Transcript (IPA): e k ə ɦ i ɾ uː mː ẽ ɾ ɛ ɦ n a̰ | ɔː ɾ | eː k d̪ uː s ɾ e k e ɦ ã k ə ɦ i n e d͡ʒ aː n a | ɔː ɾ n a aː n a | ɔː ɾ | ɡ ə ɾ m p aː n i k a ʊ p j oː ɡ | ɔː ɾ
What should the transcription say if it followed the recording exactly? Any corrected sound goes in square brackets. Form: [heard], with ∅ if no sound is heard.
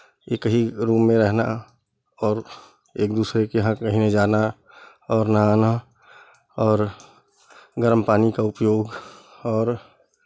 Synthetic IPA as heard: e k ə ɦ i ɾ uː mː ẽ ɾ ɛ ɦ n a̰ | ɔː ɾ | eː k d̪ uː s ɾ e k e ɦ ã k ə ɦ i n e d͡ʒ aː n a | ɔː ɾ n a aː n a | ɔː ɾ | ɡ ə ɾ m p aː n i k a ʊ p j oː ɡ | ɔː ɾ